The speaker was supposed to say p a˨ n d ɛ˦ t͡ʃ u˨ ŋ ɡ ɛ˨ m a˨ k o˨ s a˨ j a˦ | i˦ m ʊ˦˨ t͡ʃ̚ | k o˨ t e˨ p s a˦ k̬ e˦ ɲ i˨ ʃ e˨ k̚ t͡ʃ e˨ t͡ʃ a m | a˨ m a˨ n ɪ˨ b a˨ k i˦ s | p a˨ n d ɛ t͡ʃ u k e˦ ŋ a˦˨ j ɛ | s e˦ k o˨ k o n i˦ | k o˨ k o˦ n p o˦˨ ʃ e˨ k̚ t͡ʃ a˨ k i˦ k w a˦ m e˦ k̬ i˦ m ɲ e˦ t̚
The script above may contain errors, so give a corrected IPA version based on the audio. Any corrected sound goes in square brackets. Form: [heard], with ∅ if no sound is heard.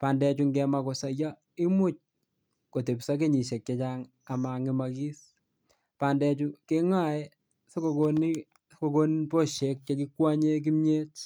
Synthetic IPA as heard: p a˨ n d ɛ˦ t͡ʃ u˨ ŋ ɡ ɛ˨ m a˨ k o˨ s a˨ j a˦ | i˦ m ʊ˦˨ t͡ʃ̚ | k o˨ t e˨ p s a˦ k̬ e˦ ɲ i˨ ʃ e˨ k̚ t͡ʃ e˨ t͡ʃ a [ŋ] | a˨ m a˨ [ŋ] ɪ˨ [m] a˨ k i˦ s | p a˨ n d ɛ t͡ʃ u k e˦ ŋ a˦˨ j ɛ | s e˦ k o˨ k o n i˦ | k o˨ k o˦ n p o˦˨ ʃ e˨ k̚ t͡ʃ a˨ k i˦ k w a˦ [ɲ] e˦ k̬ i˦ m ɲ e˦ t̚